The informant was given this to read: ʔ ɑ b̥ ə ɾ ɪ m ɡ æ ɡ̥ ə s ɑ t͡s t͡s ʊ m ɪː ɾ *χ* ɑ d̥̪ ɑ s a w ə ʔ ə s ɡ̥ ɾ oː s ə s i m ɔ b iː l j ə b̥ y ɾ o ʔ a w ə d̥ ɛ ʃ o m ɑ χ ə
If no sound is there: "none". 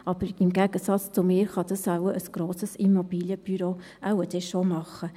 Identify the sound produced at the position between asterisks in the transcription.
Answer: χ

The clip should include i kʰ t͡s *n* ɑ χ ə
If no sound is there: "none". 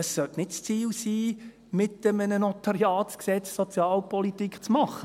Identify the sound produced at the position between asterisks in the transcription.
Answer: m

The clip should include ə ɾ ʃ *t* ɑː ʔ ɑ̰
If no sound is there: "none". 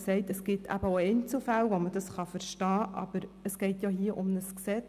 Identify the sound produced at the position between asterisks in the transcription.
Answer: t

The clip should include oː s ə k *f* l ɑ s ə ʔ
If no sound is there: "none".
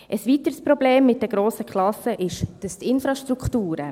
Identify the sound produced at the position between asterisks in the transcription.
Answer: χ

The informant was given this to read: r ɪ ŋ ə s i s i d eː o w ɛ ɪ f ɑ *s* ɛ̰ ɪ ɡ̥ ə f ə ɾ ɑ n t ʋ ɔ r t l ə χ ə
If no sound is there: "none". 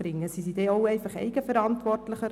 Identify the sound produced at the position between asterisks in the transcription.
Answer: χ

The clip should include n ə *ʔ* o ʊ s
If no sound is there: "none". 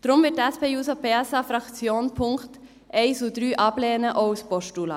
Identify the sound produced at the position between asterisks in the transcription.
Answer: ʔ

